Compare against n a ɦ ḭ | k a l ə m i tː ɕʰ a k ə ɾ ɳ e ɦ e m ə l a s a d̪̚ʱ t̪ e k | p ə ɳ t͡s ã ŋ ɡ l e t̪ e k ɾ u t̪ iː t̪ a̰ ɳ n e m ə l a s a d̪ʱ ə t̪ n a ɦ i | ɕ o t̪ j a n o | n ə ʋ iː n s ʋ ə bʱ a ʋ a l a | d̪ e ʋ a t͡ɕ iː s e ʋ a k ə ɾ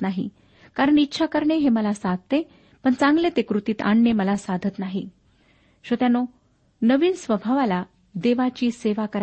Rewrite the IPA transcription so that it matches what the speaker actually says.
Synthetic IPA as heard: n a ɦ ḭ | k a ɾ ə ɳ i tː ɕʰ a k ə ɾ ɳ e ɦ e m ə l a s a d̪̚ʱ t̪ e | p ə ɳ t͡s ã ŋ ɡ l e t̪ e k ɾ u t̪ iː t̪ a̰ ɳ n e m ə l a s a d̪ʱ ə t̪ n a ɦ i | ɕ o t̪ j a n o | n ə ʋ iː n s ʋ ə bʱ a ʋ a l a | d̪ e ʋ a t͡ɕ iː s e ʋ a k ə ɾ